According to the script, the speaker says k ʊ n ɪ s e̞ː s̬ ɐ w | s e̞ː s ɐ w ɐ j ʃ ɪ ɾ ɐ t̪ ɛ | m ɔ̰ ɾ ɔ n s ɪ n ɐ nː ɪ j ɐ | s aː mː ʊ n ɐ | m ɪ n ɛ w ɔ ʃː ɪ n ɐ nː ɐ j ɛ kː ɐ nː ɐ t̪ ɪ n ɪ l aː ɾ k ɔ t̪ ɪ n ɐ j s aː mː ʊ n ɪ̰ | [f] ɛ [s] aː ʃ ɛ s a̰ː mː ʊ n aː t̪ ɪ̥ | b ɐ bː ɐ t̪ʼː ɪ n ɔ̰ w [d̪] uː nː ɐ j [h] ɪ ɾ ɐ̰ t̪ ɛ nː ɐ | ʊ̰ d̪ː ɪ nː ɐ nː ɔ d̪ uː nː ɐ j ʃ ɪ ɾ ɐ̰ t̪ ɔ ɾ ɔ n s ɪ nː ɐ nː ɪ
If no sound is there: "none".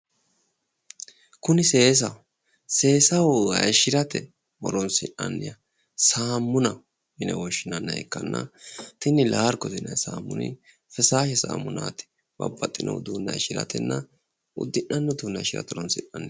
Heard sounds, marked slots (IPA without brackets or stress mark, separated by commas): f, s, d̪, ʃ